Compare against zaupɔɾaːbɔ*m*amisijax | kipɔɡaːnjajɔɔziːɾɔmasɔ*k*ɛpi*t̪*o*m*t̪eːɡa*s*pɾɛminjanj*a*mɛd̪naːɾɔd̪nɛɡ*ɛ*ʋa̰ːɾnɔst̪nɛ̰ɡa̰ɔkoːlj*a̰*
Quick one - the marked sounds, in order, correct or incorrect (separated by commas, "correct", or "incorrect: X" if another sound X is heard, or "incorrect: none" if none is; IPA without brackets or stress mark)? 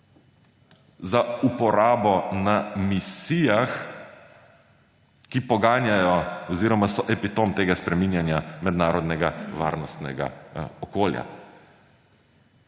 incorrect: n, incorrect: ʔ, correct, correct, correct, correct, incorrect: a, correct